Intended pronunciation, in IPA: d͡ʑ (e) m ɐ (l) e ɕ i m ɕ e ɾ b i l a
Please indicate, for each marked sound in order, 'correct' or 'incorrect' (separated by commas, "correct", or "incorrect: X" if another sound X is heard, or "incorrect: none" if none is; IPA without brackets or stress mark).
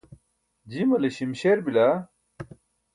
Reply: incorrect: i, correct